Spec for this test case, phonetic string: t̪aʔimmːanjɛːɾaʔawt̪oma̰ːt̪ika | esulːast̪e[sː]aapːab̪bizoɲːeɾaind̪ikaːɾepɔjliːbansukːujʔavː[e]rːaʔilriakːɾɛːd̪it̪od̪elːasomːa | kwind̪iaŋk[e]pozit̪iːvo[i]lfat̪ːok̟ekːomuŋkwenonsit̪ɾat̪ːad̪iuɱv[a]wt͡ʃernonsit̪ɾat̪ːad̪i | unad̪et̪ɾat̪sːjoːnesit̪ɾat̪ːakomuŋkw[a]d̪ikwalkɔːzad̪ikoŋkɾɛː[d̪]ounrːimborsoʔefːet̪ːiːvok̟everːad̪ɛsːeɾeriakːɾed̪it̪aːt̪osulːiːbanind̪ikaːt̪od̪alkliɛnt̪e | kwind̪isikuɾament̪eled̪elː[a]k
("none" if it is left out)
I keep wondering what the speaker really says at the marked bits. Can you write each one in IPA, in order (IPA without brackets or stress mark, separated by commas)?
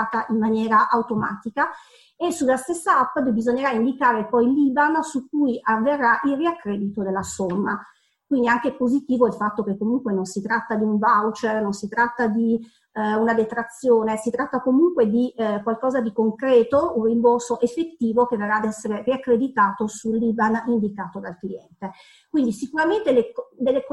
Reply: sː, e, e, i, a, e, t̪, e